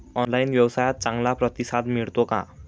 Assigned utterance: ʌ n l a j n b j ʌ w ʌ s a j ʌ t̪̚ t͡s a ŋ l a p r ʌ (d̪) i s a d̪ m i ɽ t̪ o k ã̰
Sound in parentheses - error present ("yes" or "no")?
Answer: yes